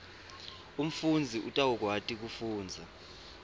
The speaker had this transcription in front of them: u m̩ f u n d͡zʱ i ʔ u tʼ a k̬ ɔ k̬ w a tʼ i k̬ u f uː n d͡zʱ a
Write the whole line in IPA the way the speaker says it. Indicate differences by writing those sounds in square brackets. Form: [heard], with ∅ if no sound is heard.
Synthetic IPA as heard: u m̩ f u n d͡zʱ i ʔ u tʼ a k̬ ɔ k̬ w a tʼ i k̬ u f uː n d͡zʱ a